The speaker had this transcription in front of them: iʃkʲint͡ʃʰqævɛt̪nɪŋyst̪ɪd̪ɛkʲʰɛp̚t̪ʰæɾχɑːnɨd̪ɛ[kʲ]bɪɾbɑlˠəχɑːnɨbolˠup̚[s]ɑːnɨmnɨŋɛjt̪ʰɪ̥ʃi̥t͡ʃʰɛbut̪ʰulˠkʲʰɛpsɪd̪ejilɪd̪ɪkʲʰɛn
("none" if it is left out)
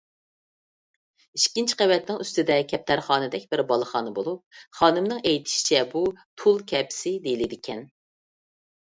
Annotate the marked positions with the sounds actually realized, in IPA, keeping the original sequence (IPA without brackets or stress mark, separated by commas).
kʲ, χ